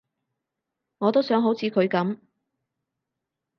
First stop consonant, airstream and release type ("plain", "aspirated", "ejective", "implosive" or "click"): plain